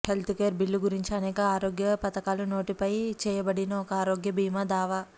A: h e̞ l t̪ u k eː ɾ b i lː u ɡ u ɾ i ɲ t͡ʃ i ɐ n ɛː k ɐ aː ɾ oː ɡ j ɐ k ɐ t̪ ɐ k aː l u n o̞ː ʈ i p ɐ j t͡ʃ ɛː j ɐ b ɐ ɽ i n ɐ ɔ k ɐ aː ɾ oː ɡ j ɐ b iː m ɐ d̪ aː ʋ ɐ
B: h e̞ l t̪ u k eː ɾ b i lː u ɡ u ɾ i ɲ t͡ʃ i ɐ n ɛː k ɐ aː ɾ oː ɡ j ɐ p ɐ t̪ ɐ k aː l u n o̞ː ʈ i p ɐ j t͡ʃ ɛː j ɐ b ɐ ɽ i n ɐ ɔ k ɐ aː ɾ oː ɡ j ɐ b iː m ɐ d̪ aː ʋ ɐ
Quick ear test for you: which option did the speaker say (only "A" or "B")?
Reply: B